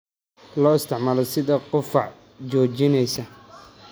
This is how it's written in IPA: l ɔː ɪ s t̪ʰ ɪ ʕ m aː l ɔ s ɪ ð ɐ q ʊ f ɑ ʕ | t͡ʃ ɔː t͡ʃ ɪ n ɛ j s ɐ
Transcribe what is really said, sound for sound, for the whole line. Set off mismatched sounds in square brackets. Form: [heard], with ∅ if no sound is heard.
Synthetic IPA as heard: l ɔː ɪ s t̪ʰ ɪ ʕ m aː l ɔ s ɪ ð ɐ q ʊ f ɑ ʕ | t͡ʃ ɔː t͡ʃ ɪ n ɛ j s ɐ